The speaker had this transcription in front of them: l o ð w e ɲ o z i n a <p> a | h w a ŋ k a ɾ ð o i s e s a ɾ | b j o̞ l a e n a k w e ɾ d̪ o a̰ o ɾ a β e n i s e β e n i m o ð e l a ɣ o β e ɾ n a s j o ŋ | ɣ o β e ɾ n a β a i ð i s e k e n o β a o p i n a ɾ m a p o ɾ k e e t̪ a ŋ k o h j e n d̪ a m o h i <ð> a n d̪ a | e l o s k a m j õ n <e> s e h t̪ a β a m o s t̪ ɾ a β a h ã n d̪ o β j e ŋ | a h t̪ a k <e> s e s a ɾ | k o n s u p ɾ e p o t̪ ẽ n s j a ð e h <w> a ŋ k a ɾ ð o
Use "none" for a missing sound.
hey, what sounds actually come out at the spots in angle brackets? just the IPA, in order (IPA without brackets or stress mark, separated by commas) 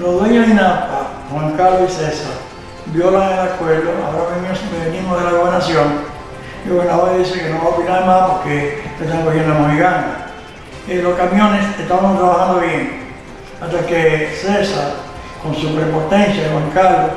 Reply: p, ɣ, e, e, w